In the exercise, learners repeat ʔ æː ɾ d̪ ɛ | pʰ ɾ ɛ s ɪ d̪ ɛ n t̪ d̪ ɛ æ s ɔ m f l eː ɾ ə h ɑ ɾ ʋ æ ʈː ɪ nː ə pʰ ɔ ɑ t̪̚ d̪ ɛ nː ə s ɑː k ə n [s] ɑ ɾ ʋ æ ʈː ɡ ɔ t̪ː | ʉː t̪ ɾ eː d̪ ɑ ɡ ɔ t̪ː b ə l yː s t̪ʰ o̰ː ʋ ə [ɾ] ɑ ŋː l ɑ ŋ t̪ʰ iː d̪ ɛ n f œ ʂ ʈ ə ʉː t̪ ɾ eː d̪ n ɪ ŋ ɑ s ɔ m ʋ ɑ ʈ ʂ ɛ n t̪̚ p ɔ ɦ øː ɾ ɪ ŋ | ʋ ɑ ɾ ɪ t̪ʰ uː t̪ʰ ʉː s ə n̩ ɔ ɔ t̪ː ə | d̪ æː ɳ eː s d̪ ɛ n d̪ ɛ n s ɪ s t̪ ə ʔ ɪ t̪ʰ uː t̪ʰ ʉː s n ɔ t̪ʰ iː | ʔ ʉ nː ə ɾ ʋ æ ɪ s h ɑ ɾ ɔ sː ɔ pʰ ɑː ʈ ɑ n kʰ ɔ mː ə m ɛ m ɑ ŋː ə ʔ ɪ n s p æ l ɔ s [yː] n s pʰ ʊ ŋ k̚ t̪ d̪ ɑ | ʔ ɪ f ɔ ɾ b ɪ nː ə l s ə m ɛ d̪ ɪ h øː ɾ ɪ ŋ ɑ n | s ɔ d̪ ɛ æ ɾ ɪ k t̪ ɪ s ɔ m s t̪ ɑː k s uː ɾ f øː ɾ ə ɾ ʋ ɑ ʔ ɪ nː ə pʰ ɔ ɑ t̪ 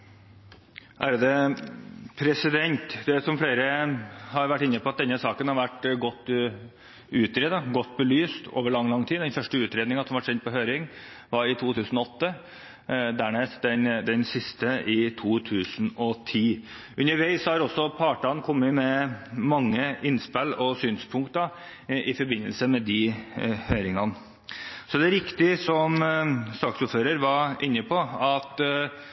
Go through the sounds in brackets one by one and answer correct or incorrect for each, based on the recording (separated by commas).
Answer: incorrect, incorrect, correct